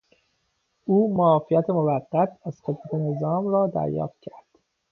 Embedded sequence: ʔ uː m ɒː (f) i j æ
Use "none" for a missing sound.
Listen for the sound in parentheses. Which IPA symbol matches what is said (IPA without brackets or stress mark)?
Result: f